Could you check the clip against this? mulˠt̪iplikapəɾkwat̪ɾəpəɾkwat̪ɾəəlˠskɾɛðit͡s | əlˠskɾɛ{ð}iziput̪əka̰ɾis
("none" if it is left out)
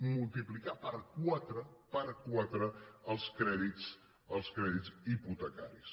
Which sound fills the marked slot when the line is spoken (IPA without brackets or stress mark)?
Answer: ð